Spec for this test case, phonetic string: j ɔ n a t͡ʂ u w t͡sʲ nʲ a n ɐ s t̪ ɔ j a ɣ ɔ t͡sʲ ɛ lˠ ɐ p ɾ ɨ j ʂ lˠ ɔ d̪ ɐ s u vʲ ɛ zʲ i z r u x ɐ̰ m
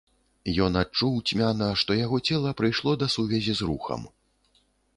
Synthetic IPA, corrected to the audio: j ɔ n a t͡ʂ u w t͡sʲ mʲ a n ɐ ʂ t̪ ɔ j a ɣ ɔ t͡sʲ ɛ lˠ ɐ p ɾ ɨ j ʂ lˠ ɔ d̪ ɐ s u vʲ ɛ zʲ i z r u x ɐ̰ m